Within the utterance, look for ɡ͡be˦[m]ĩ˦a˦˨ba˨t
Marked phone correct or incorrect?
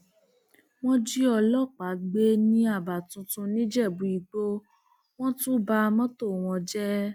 incorrect